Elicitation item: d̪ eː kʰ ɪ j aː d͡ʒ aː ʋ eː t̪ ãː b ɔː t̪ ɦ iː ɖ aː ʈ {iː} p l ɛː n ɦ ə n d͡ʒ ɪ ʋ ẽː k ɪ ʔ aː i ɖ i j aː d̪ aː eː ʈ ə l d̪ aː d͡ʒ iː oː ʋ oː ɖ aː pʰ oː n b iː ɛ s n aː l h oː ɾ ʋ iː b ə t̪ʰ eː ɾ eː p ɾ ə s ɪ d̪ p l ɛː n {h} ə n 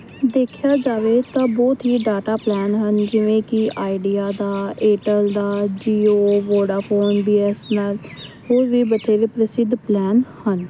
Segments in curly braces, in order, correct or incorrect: incorrect: aː, correct

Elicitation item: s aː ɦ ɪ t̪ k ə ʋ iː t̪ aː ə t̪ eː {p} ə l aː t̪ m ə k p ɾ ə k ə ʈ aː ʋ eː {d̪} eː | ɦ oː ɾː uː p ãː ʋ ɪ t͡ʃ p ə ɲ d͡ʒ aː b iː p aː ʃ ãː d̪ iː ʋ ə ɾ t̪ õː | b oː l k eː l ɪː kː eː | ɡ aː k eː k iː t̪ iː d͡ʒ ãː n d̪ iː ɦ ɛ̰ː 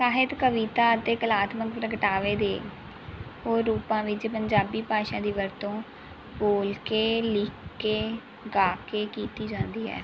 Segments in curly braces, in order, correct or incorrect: incorrect: k, correct

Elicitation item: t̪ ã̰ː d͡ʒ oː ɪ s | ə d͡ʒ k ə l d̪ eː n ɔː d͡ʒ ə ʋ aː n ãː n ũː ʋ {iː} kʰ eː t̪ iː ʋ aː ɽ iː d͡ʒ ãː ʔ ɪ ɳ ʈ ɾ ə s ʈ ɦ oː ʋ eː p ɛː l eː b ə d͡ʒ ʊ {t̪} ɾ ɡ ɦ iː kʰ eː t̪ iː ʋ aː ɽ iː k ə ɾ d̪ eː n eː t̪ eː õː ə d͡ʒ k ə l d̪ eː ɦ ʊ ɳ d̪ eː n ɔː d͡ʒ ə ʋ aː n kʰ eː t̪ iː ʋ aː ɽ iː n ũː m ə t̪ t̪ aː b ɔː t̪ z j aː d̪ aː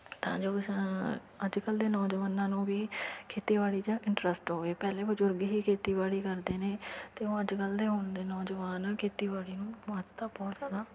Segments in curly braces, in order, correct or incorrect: correct, incorrect: none

